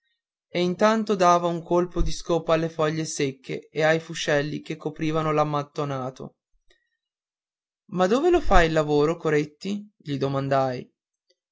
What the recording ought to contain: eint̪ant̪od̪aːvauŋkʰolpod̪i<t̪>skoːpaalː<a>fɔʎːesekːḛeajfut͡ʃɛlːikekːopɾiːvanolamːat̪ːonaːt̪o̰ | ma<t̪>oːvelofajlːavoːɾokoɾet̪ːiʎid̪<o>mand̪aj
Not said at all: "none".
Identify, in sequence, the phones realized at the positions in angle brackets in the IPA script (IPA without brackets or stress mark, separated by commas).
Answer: none, e, d̪, o